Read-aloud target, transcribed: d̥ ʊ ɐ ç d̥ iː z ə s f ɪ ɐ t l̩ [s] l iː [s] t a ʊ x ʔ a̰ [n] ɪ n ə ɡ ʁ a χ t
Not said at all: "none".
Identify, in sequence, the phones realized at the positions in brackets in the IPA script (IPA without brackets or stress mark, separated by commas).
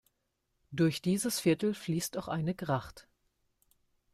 f, s, none